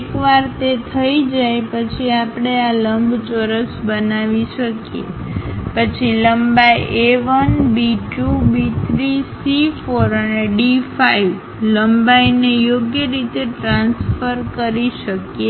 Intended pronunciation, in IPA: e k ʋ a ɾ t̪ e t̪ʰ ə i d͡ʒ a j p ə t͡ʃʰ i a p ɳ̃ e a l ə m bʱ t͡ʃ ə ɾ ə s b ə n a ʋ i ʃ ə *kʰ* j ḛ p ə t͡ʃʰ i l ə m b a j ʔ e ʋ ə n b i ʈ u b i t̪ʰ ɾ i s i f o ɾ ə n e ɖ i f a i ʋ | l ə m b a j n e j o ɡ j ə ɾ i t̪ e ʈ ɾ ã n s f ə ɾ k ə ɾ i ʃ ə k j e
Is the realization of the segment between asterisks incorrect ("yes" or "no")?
yes